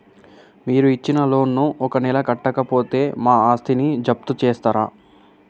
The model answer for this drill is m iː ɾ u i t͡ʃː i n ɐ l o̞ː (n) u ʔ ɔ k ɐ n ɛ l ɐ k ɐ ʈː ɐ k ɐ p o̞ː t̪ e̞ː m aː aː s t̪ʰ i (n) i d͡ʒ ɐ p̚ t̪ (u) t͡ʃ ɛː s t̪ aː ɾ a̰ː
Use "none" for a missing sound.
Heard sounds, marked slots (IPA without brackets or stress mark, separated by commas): nː, n, u